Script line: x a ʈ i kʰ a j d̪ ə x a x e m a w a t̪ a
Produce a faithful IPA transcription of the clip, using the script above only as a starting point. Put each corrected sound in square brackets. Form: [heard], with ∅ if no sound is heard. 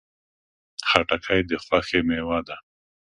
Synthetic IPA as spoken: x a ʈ [a] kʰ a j d̪ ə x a x e m [e] w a [d̪] a